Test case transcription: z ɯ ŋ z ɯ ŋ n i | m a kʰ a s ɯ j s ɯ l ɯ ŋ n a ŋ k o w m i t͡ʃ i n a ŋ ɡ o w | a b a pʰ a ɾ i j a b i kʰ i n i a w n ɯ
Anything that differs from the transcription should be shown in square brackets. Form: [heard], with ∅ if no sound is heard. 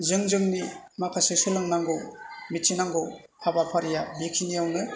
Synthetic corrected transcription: z ɯ ŋ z ɯ ŋ n i | m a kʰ a s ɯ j s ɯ l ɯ ŋ n a ŋ [ɡ] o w m i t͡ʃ i n a ŋ ɡ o w | a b a pʰ a ɾ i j a b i kʰ i n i a w n ɯ

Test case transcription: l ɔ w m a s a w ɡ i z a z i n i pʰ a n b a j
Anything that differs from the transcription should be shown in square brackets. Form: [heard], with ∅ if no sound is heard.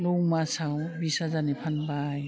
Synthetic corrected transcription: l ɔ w m a s a w [b] i [s] a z [a] n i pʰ a n b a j

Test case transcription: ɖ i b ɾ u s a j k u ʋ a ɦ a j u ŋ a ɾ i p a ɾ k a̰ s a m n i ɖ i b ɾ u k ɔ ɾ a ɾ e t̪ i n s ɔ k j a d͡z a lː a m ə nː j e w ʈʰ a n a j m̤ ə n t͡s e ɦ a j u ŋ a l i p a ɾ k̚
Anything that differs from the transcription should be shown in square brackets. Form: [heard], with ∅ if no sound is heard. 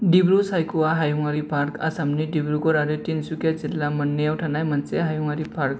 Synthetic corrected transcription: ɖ i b ɾ u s a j k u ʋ a ɦ a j u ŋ a ɾ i p a ɾ k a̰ s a m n i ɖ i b ɾ u k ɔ ɾ a ɾ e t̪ i n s [u] k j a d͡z [i] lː a m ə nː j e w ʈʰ a n a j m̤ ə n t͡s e ɦ a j u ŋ a [ɾ] i p a ɾ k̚

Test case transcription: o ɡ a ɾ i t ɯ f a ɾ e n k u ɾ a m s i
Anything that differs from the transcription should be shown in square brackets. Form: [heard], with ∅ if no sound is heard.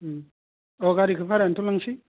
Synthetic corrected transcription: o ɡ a ɾ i [k] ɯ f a ɾ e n [t] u [l] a [ŋ] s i

